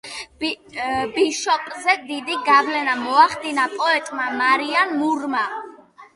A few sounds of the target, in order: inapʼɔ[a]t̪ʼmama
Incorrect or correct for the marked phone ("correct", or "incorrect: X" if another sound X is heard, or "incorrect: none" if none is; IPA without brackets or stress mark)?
incorrect: ɛ